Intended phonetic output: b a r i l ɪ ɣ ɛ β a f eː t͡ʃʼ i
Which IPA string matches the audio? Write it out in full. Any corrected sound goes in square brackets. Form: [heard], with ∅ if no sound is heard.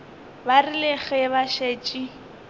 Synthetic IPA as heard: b a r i l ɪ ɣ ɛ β a [ʃ] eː t͡ʃʼ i